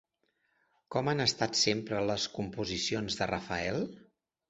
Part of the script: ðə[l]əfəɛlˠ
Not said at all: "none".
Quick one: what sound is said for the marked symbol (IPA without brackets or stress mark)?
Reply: r